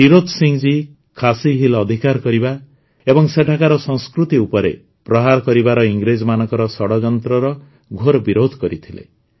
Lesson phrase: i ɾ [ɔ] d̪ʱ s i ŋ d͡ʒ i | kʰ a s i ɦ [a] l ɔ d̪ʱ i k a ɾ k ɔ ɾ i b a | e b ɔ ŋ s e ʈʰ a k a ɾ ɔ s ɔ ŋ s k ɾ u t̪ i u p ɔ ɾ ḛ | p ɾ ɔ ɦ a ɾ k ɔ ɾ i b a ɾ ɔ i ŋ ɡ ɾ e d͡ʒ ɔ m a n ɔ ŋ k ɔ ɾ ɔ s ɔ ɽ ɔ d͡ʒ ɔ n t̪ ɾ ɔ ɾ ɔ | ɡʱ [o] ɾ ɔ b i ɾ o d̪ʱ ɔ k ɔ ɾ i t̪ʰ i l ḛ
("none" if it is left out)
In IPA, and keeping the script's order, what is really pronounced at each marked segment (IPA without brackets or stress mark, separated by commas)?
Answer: o, i, o